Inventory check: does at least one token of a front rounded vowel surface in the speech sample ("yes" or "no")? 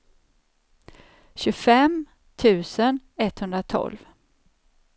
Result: no